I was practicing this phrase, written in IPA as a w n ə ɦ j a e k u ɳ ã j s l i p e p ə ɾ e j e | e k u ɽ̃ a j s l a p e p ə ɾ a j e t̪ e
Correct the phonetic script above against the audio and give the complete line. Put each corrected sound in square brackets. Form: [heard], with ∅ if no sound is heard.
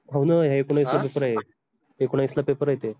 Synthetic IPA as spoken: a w n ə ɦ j a e k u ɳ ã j s l [a] p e p ə ɾ [a] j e | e k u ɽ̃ a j s l a p e p ə ɾ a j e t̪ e

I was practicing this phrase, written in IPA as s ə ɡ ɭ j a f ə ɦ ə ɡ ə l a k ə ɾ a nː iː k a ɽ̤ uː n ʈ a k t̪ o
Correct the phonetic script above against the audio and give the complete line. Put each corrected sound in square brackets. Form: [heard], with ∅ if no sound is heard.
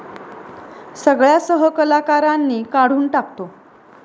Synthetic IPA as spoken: s ə ɡ ɭ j a [s] ə ɦ ə [k] ə l a k [a] ɾ a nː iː k a ɽ̤ uː n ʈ a k t̪ o

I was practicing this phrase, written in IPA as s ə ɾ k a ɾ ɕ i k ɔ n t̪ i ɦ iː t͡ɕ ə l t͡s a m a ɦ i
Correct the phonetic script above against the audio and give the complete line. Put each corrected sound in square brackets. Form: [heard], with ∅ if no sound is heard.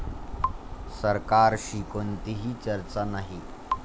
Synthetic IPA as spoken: s ə ɾ k a ɾ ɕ i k [o] n t̪ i ɦ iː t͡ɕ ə [ɾ] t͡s a [n] a ɦ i

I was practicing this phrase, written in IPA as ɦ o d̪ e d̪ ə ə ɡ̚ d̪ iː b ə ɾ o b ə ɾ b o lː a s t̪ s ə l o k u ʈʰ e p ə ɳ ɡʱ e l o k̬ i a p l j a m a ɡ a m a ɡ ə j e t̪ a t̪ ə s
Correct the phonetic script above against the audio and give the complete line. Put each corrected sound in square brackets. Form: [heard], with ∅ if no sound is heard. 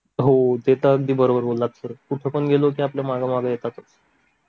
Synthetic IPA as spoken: ɦ o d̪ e [t̪] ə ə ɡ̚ d̪ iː b ə ɾ o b ə ɾ b o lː a [∅] t̪ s ə [ɾ] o k u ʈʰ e p ə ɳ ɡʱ e l o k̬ i a p l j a m a ɡ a m a ɡ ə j e t̪ a t̪ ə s

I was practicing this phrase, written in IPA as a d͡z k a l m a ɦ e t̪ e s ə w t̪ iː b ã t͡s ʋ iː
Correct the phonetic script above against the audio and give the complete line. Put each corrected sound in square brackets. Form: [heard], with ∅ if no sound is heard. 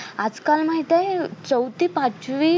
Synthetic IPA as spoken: a d͡z k a l m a ɦ [i] t̪ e [t͡s] ə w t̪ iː [p] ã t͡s ʋ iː

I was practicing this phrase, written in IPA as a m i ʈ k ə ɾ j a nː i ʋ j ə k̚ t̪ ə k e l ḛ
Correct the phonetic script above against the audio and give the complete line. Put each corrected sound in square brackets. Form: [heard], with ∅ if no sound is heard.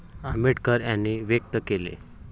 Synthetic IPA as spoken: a m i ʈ k ə ɾ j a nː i ʋ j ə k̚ t̪ ə k e l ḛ

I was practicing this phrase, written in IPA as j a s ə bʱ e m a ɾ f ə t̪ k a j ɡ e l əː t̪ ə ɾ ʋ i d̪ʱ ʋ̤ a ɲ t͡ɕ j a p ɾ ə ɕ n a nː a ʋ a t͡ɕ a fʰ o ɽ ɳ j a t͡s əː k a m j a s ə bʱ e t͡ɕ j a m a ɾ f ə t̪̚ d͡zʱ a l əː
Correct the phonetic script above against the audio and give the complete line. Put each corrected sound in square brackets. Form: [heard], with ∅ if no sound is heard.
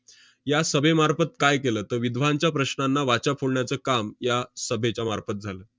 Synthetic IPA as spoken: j a s ə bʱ e m a ɾ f ə t̪ k a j [k] e l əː t̪ ə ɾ ʋ i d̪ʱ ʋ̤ a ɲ t͡ɕ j a p ɾ ə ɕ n a nː a ʋ a t͡ɕ a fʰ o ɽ ɳ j a t͡s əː k a m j a s ə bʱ e t͡ɕ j a m a ɾ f ə t̪̚ d͡zʱ a l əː

